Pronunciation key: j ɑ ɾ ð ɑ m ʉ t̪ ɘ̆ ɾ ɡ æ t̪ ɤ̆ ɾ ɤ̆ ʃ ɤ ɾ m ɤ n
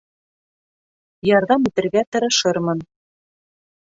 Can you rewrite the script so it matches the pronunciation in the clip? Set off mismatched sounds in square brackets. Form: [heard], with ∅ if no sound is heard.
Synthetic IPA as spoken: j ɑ ɾ ð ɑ m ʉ t̪ ɘ̆ ɾ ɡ æ t̪ ɤ̆ ɾ ɤ̆ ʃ ɤ ɾ m ɤ n